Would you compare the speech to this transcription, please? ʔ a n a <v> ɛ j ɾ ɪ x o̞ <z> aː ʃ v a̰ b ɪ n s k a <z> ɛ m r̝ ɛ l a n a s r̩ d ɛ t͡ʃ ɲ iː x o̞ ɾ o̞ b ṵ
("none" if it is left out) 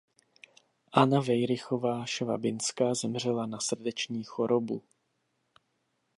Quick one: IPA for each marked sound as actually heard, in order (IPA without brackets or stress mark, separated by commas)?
v, v, z